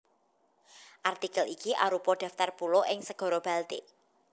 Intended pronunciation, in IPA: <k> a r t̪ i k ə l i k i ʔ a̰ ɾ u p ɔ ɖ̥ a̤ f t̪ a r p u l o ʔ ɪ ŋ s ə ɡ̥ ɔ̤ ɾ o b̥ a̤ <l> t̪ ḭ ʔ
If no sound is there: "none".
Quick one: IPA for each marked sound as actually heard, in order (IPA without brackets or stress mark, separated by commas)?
ʔ, l